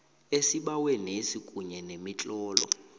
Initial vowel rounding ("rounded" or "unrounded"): unrounded